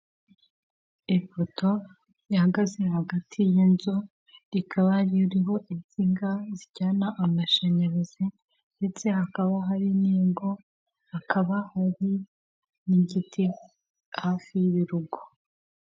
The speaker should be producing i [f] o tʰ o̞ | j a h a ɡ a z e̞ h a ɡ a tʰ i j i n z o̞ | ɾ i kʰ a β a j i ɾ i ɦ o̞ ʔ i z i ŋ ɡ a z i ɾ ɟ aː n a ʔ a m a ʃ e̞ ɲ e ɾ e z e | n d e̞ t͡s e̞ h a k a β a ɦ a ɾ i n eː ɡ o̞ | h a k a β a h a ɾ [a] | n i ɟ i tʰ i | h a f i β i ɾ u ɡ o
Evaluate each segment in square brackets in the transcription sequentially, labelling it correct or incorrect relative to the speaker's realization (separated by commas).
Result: correct, incorrect